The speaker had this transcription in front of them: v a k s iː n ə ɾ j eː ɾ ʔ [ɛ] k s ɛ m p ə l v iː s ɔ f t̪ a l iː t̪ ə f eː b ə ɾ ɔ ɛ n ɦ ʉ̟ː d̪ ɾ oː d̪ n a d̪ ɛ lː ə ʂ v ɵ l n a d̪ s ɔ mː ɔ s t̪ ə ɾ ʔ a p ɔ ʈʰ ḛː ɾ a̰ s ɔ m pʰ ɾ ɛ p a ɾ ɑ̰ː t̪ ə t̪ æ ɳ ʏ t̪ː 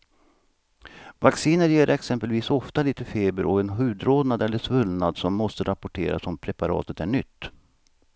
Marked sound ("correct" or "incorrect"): correct